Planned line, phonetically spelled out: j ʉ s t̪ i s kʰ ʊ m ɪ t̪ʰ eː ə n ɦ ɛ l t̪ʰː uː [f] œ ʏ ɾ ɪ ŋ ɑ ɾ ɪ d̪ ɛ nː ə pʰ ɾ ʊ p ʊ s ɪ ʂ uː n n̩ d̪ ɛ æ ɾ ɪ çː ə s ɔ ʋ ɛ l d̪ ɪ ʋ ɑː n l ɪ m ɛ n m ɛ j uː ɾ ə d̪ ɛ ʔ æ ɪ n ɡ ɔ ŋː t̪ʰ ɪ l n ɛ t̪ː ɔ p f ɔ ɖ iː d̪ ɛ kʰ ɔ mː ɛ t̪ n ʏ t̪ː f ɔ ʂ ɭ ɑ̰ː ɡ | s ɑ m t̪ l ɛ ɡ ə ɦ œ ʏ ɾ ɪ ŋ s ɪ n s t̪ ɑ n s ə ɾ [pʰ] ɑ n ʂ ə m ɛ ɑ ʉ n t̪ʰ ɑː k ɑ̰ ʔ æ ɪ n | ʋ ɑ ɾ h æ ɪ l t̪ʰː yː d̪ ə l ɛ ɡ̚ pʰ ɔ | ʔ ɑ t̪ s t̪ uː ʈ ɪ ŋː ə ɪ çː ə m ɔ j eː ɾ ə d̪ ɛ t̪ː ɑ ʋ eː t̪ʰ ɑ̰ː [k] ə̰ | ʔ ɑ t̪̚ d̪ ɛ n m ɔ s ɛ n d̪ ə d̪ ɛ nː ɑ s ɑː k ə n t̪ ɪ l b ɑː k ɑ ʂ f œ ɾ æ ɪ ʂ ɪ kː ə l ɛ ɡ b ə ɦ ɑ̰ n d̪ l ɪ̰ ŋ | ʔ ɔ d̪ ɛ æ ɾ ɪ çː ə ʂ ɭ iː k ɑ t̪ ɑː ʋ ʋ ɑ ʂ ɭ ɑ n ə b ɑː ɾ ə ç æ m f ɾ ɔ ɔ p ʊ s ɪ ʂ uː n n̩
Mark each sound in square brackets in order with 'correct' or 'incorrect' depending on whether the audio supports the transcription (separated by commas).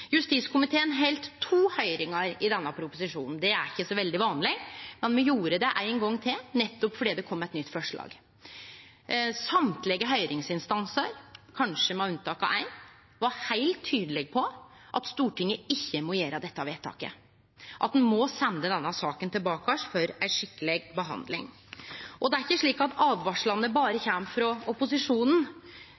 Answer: incorrect, incorrect, correct